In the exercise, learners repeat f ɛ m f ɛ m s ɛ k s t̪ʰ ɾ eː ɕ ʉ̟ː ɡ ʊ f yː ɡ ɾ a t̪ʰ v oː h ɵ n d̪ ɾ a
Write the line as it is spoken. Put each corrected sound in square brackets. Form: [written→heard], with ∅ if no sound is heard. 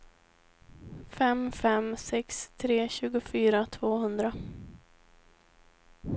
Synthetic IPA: f ɛ m f ɛ m s ɛ k s t̪ʰ ɾ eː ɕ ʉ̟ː ɡ ʊ f yː [ɡ→∅] ɾ a t̪ʰ v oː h ɵ n d̪ ɾ a